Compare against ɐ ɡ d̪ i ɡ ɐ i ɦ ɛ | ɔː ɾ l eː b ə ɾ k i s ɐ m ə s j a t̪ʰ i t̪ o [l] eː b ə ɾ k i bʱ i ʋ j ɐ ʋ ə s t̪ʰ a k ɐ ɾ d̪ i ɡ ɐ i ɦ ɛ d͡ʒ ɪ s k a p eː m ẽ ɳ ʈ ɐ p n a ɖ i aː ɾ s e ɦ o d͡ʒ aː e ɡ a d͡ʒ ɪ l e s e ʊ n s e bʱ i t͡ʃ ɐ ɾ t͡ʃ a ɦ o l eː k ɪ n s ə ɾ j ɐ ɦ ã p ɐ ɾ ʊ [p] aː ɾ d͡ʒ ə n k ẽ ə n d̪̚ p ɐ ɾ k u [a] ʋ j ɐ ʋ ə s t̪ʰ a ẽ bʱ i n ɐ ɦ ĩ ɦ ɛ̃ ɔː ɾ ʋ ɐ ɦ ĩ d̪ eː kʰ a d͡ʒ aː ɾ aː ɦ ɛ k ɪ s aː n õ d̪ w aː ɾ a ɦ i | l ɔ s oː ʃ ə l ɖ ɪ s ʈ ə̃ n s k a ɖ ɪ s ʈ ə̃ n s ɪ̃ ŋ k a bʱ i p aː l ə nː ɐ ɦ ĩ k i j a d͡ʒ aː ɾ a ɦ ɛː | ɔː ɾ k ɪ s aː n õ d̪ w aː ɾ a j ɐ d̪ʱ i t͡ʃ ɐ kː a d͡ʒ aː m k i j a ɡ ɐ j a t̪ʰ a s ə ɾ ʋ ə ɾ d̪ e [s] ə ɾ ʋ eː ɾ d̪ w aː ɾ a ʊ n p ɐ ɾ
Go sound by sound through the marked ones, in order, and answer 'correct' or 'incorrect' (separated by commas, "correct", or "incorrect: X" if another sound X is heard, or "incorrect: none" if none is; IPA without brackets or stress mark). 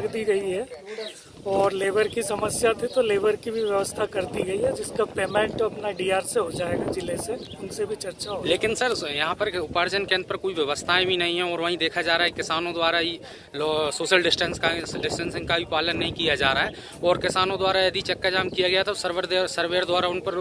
correct, correct, incorrect: i, correct